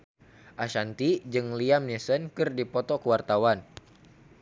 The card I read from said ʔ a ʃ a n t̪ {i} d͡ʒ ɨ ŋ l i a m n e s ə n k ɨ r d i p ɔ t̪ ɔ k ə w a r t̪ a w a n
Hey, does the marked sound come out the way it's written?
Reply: yes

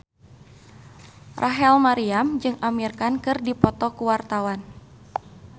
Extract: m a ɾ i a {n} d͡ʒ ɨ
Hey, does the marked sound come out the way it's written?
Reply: no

